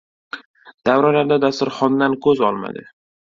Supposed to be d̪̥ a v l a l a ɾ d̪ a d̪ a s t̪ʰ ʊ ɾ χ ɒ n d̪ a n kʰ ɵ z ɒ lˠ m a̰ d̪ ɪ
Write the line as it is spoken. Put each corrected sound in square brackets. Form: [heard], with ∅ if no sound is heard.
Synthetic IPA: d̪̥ a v [ɾ] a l a ɾ d̪ a d̪ a s [t̪] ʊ ɾ χ ɒ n d̪ a n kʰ ɵ z ɒ lˠ m a̰ d̪ ɪ